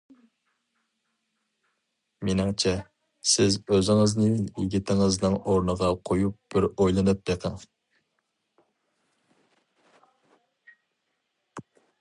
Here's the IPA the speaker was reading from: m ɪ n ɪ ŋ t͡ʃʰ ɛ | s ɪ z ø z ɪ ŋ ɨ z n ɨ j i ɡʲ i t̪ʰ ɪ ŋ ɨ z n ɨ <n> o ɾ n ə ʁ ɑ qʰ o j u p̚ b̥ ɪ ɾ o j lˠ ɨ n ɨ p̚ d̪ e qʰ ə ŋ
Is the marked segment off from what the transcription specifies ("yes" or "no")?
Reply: yes